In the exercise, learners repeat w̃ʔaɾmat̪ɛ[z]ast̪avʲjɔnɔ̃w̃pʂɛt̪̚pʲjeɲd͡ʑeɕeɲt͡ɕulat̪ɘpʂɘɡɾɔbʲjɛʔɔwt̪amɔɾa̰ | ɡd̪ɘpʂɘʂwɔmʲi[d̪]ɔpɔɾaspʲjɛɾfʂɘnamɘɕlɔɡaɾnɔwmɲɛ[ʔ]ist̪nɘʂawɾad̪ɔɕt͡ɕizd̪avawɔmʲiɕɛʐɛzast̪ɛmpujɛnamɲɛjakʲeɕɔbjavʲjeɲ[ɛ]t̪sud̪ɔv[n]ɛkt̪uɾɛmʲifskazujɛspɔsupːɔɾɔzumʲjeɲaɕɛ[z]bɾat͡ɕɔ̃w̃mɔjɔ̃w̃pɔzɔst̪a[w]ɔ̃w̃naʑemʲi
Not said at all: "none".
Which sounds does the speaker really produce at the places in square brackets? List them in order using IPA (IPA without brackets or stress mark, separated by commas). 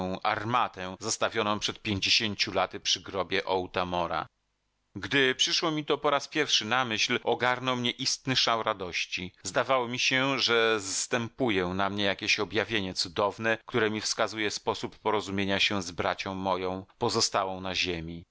z, t̪, ʔ, ɛ, n, z, w